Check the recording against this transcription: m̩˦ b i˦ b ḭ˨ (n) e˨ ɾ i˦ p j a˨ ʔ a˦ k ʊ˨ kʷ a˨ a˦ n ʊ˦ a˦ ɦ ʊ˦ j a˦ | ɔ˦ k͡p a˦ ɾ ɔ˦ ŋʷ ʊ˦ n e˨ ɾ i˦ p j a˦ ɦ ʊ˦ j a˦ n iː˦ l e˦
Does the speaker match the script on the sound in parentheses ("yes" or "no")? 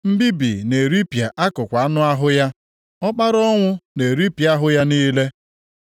yes